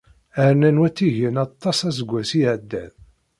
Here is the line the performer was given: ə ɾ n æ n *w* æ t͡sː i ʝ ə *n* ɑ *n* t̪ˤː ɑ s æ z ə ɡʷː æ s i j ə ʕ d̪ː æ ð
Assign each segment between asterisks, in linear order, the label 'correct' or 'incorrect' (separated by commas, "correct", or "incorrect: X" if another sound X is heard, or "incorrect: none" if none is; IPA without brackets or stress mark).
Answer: correct, correct, incorrect: none